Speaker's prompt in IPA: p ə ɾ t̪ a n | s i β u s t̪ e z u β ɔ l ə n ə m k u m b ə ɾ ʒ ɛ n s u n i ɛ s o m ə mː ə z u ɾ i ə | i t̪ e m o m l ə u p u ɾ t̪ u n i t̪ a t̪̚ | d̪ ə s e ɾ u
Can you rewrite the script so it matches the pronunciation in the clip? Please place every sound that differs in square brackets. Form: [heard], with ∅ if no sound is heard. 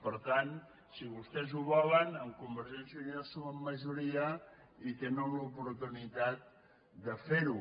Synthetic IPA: p ə ɾ t̪ a n | s i β u s t̪ [ɛ] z u β ɔ l ə n ə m k u m b ə ɾ ʒ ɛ n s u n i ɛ s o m ə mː ə [ʒ] u ɾ i ə | i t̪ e [n] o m l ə u p u ɾ t̪ u n i t̪ a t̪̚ | d̪ ə [f] e ɾ u